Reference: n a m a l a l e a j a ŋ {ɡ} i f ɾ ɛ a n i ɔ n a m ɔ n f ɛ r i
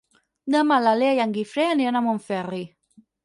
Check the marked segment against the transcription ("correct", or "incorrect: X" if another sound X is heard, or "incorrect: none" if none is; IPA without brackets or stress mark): correct